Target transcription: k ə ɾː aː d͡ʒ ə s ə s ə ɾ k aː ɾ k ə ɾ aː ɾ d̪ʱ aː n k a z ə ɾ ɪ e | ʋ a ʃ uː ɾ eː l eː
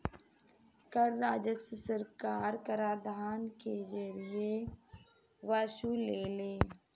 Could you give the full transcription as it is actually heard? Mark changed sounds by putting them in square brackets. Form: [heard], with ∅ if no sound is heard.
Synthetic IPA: k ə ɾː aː d͡ʒ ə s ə s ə ɾ k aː ɾ k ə ɾ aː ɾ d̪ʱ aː n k [e] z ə ɾ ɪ e | ʋ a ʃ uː [l] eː l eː